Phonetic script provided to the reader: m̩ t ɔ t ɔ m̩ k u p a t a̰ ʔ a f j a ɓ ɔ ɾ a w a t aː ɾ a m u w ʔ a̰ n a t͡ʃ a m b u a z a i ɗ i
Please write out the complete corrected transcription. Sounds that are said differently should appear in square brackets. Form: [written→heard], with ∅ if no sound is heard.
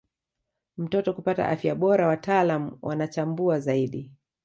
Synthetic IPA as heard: m̩ t ɔ t ɔ [m̩→∅] k u p a t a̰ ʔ a f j a ɓ ɔ ɾ a w a t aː [ɾ→l] a m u w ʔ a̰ n a t͡ʃ a m b u a z a i ɗ i